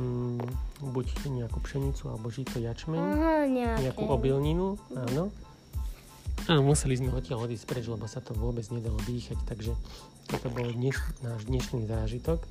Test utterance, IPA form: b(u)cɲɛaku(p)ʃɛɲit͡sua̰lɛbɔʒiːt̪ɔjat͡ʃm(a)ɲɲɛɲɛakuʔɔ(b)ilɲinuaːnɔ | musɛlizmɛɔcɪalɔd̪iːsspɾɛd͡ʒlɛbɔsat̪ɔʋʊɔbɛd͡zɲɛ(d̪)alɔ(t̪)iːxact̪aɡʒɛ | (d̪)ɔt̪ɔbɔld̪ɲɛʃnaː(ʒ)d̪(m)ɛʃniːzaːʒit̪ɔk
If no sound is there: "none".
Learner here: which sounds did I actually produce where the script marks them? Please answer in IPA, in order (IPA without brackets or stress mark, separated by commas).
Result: u, p, ɛ, b, d̪, d̪, t̪, ʒ, ɲ